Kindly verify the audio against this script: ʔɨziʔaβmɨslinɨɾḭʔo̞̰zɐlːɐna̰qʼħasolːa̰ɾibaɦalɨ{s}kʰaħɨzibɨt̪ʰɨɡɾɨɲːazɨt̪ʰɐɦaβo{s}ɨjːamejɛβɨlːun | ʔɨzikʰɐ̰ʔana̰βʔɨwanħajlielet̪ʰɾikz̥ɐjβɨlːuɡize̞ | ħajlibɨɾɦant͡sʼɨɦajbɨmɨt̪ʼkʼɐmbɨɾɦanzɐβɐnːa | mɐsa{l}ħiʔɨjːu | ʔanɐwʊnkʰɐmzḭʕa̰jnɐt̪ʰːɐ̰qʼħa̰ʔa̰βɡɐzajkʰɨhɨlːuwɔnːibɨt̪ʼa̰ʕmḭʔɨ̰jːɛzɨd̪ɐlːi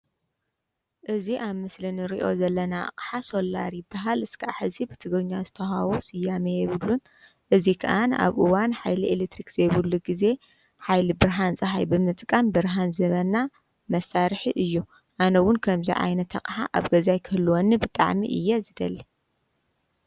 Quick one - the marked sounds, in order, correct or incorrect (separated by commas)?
correct, correct, incorrect